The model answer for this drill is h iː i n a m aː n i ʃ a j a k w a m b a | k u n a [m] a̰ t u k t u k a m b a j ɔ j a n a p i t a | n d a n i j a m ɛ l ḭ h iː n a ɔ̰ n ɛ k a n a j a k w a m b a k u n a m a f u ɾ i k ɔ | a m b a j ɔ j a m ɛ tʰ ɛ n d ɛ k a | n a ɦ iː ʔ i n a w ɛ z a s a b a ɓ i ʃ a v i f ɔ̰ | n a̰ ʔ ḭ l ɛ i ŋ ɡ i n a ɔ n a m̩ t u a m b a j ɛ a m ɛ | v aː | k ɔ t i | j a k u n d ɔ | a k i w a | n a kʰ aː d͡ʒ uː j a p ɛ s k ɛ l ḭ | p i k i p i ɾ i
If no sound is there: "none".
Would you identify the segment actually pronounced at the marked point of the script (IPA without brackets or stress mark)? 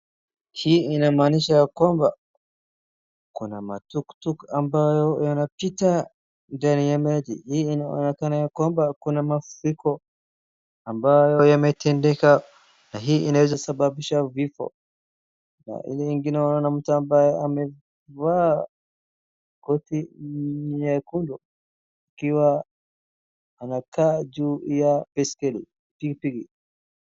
m